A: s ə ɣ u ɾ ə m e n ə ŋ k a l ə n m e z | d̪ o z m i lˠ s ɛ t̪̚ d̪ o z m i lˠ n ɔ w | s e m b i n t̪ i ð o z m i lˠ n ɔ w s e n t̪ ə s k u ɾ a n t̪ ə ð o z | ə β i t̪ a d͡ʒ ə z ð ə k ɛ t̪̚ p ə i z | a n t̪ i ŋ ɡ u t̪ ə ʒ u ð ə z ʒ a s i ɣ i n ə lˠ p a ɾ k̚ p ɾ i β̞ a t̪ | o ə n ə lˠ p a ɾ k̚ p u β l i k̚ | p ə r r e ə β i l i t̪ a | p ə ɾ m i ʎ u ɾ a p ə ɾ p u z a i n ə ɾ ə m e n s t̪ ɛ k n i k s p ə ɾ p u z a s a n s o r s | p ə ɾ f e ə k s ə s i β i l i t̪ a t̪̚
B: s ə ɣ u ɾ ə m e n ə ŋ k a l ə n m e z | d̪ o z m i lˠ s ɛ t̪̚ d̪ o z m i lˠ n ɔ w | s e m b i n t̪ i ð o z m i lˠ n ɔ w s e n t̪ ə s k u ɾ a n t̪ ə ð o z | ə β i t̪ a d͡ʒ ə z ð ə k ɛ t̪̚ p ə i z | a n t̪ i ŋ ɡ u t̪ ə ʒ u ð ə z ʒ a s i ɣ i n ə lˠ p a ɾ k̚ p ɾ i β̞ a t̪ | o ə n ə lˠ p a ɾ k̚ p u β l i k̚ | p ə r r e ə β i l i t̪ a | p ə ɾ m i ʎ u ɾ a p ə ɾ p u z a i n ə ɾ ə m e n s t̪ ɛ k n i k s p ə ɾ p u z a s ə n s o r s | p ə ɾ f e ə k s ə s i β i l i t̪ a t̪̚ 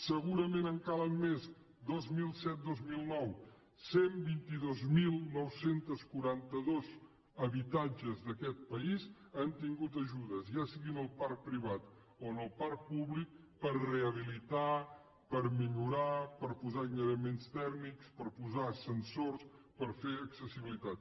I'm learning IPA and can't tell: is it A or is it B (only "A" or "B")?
B